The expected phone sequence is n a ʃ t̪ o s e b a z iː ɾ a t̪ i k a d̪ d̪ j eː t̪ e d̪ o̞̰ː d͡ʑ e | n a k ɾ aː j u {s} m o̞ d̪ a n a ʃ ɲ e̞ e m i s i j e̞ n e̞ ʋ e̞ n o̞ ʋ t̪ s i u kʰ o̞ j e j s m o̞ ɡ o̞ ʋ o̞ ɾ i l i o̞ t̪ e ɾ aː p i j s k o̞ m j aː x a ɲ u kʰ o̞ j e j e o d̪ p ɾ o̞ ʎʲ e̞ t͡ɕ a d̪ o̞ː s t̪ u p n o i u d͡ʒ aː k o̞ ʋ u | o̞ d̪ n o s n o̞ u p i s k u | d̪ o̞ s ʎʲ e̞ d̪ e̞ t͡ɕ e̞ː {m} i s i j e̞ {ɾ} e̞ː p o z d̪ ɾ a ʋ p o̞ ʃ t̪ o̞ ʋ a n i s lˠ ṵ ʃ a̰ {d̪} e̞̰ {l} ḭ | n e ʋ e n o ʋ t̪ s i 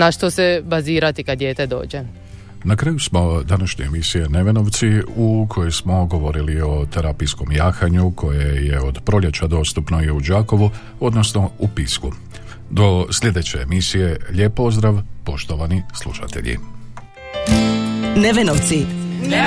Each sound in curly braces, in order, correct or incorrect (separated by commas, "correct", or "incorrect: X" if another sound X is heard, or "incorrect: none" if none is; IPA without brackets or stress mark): correct, correct, incorrect: ʎ, incorrect: t̪, incorrect: ʎ